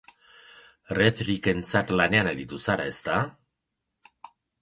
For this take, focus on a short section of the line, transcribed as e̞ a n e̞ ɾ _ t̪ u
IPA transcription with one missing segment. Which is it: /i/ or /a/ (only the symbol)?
i